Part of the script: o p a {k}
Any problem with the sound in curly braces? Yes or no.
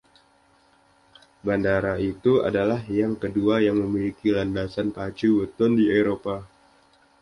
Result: yes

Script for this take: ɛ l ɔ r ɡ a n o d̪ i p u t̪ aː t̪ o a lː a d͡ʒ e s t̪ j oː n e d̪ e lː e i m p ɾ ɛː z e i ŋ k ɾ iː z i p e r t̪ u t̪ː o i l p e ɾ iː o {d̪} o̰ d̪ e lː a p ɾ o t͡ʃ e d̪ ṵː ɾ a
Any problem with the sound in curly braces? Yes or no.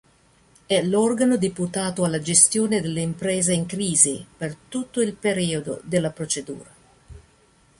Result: no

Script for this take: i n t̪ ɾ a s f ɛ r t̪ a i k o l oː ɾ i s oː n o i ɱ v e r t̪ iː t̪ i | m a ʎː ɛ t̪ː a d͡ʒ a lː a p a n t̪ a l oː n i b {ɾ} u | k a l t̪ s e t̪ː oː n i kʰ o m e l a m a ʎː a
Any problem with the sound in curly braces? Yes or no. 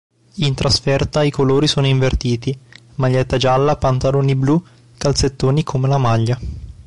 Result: yes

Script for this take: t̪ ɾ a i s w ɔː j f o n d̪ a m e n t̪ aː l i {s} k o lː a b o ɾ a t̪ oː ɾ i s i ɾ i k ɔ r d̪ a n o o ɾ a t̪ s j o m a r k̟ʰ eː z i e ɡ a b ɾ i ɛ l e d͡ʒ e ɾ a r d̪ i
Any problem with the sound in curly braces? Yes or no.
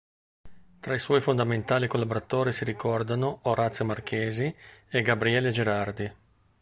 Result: yes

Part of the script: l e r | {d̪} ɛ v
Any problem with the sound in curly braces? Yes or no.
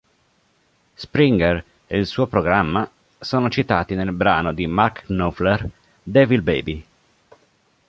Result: no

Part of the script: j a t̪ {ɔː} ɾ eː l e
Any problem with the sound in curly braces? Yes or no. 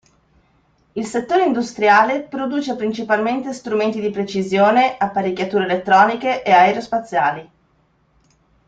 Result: yes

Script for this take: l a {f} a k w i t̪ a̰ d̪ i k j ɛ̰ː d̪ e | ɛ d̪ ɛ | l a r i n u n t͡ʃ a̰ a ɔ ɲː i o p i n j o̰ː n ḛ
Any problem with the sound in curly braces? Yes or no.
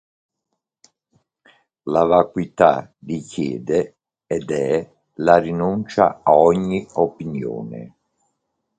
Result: yes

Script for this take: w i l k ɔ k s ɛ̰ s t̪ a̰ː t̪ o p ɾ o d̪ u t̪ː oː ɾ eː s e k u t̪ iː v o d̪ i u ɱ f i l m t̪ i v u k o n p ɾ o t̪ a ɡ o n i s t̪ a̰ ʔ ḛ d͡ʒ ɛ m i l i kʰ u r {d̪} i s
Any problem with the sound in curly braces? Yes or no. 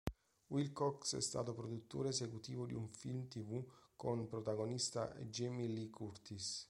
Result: yes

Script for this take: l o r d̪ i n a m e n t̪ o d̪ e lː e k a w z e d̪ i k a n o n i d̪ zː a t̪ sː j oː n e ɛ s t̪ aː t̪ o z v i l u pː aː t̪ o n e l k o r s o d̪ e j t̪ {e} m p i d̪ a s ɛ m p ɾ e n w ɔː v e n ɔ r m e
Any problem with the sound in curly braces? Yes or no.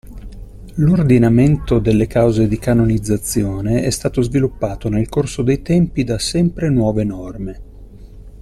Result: yes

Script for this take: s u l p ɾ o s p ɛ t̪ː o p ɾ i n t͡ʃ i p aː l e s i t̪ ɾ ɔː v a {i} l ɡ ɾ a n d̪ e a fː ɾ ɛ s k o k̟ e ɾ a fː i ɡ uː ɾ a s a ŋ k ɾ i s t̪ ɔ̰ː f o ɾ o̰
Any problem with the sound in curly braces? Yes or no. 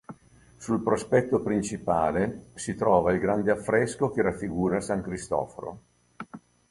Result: no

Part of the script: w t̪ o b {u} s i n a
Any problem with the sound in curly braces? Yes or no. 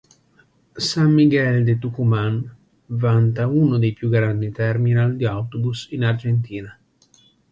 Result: no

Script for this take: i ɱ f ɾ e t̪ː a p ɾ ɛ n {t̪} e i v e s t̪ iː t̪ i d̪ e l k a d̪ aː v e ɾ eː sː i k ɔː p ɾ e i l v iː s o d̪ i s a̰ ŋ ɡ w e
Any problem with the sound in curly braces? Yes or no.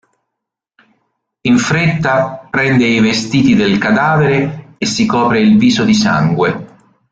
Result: yes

